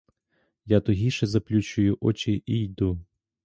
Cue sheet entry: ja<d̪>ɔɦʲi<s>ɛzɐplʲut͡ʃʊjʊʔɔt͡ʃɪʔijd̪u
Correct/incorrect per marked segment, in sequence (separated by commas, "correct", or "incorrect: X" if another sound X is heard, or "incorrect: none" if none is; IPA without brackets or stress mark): incorrect: t̪, incorrect: ʃ